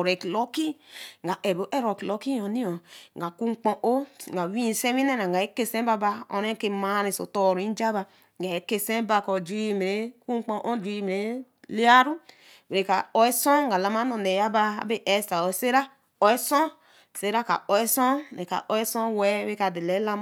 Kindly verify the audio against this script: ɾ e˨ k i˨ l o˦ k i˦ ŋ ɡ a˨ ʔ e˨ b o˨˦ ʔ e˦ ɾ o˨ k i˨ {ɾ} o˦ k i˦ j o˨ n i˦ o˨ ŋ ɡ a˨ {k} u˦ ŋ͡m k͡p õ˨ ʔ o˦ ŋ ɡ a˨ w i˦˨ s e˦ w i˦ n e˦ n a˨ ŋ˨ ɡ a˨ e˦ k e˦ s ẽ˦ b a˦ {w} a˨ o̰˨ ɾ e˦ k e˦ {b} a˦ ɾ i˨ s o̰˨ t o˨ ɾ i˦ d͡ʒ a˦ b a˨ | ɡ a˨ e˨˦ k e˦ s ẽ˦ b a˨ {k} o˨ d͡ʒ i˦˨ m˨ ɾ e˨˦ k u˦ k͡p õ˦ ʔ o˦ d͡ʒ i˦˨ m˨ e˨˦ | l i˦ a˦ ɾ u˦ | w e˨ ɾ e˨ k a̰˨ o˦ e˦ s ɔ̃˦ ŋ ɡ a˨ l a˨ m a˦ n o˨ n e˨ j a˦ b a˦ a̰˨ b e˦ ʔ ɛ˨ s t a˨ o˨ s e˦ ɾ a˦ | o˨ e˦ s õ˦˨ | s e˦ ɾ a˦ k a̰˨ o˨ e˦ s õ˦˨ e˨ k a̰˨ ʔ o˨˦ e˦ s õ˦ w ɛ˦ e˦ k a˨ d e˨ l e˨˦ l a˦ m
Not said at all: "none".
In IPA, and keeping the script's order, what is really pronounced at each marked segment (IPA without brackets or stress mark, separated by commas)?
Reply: l, k, b, m, k